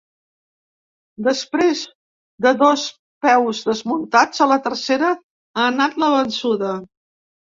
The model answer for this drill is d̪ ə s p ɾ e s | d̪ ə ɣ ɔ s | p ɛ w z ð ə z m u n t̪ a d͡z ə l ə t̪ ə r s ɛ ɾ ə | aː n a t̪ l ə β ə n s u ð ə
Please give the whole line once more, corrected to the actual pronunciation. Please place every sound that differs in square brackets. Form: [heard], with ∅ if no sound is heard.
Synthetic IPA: d̪ ə s p ɾ e [z] | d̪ ə [ð] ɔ s | p ɛ w z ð ə z m u n t̪ a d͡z ə l ə t̪ ə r s [e] ɾ ə | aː n a t̪ l ə β ə n s u ð ə